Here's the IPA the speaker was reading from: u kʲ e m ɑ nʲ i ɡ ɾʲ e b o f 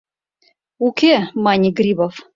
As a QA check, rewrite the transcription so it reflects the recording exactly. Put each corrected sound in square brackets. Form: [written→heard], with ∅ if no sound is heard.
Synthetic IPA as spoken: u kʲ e m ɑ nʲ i ɡ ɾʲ [e→i] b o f